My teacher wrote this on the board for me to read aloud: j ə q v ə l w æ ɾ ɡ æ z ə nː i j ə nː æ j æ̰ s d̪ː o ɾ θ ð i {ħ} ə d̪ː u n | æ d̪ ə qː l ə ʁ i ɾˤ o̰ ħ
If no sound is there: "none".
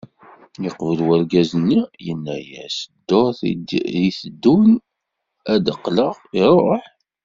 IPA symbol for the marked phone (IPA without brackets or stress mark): θ